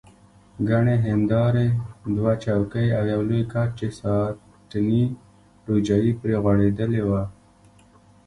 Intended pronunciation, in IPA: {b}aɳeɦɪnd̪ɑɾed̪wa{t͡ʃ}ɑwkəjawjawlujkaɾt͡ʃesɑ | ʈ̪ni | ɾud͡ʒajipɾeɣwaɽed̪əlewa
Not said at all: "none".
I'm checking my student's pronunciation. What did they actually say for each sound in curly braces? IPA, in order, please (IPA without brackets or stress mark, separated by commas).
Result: ɡ, t͡ʃ